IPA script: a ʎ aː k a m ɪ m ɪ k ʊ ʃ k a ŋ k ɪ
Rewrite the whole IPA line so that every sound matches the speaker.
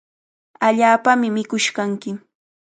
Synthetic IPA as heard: a ʎ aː p a m ɪ m ɪ k ʊ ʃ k a ŋ k ɪ